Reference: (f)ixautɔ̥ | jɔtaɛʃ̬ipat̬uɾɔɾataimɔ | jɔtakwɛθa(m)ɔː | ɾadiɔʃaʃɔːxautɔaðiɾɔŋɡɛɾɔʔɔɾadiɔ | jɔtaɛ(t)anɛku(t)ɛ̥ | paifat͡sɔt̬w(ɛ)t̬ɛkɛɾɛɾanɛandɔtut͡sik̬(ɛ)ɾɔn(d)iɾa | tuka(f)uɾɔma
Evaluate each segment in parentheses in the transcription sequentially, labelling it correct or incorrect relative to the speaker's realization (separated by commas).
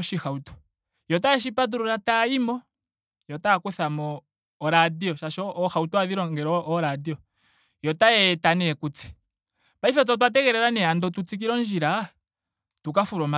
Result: incorrect, correct, correct, incorrect, incorrect, incorrect, incorrect, correct